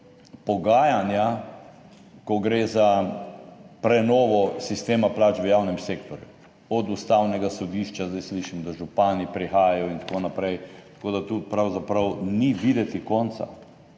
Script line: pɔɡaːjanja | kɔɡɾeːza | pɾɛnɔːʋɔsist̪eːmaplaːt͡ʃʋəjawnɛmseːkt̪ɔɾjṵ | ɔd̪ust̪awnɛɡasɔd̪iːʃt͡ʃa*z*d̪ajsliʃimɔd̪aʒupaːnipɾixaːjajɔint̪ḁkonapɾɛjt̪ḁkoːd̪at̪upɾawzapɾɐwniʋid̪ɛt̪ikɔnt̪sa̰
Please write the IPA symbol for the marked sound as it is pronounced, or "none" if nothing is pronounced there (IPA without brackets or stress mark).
z